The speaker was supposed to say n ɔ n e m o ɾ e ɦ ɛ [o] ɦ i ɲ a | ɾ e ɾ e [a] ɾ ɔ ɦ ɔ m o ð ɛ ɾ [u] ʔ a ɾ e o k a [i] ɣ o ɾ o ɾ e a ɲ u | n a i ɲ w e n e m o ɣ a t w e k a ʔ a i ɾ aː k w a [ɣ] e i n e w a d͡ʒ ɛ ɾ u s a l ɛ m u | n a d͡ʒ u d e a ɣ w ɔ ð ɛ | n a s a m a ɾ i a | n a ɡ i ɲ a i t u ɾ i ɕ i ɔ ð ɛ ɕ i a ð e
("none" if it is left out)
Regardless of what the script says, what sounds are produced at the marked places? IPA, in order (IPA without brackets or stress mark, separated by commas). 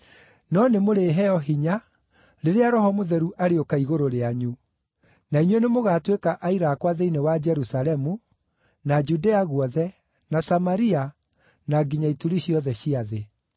ɔ, a, u, i, ð